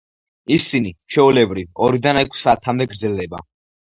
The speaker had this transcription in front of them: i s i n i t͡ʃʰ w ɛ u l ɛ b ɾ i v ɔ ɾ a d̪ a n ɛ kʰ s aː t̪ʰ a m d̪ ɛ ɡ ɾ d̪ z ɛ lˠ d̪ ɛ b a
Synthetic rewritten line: i s i n i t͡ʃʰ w ɛ u l ɛ b ɾ i v ɔ ɾ i d̪ a n ɛ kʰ s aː t̪ʰ a m d̪ ɛ ɡ ɾ d̪ z ɛ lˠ d̪ ɛ b a